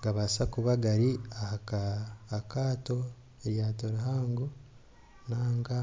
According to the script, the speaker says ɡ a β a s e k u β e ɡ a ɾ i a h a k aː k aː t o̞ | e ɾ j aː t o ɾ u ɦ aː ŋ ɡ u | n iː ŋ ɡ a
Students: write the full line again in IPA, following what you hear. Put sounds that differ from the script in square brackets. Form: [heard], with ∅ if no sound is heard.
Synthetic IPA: ɡ a β a s [a] k u β [a] ɡ a ɾ i a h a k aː k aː t o̞ | e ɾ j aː t o ɾ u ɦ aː ŋ ɡ u | n [aː] ŋ ɡ a